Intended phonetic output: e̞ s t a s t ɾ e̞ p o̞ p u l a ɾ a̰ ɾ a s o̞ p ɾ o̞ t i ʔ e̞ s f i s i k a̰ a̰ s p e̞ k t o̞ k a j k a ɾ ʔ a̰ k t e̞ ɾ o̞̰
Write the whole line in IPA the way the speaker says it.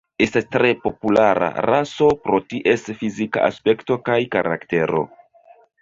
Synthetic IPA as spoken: e̞ s t a s t ɾ e̞ p o̞ p u l a ɾ a̰ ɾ a s o̞ p ɾ o̞ t i ʔ e̞ s f i z i k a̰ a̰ s p e̞ k t o̞ k a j k a ɾ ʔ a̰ k t e̞ ɾ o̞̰